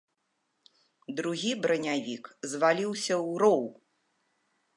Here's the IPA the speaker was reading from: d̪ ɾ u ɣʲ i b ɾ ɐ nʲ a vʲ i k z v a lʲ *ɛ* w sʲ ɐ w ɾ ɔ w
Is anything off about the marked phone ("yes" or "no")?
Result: yes